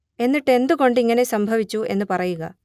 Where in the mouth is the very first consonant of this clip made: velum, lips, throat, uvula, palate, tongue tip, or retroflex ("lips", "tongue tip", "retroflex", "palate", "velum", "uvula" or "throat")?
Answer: tongue tip